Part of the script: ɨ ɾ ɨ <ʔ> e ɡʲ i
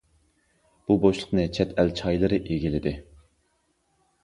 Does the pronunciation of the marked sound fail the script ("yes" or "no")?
no